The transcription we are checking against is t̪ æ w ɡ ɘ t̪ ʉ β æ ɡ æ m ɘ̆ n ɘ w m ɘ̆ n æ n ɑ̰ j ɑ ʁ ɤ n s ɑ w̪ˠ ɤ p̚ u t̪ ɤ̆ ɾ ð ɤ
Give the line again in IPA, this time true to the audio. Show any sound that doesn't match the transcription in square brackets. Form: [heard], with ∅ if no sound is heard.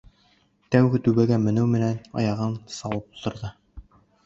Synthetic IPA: t̪ æ w ɡ ɘ t̪ ʉ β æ ɡ æ m ɘ̆ n ɘ w m ɘ̆ n æ n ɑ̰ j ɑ ʁ ɤ n s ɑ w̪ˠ ɤ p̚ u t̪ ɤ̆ ɾ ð ɤ